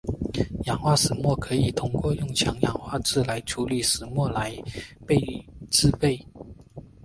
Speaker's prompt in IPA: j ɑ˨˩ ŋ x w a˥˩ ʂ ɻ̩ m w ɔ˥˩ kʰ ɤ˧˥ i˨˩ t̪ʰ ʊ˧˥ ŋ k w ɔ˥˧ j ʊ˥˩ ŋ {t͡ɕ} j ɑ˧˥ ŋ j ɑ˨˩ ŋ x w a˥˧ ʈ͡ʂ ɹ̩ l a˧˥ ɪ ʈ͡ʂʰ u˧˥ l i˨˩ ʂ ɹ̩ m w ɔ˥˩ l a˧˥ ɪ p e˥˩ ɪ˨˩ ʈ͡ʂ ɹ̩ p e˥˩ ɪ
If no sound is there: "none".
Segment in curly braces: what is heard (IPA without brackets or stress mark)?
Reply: t͡ɕʰ